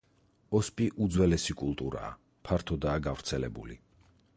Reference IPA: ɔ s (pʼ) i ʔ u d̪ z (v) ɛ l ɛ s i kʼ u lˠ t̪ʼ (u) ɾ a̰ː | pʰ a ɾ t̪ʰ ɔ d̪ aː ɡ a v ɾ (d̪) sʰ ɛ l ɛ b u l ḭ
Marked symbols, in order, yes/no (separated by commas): yes, no, yes, no